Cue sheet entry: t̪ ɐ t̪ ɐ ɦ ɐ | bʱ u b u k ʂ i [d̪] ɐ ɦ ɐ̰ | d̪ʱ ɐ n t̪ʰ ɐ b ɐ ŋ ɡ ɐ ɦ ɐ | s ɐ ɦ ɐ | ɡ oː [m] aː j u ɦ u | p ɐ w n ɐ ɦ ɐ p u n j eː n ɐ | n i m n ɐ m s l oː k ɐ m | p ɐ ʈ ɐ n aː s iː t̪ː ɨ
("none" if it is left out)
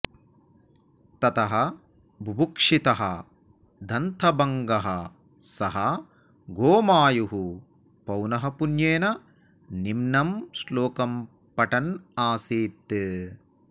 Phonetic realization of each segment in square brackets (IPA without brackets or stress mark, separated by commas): t̪, m